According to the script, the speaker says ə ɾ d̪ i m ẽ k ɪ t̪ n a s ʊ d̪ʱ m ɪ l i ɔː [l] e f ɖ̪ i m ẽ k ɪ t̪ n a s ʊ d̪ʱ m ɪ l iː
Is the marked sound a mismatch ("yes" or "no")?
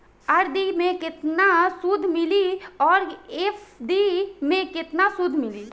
yes